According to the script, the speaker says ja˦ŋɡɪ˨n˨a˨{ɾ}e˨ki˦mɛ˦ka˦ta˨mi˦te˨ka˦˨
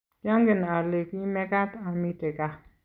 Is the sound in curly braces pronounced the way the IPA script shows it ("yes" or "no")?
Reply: no